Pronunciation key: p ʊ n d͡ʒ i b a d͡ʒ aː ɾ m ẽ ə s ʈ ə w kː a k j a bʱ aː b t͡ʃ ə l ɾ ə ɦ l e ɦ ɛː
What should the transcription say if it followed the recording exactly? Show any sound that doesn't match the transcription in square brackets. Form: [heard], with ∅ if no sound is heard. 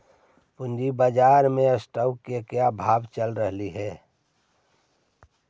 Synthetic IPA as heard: p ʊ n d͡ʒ i b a d͡ʒ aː ɾ m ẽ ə s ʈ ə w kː [e] k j a bʱ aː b t͡ʃ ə l ɾ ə ɦ l [i] ɦ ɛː